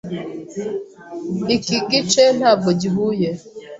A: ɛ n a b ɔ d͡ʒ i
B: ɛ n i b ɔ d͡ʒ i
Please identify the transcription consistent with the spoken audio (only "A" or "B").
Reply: A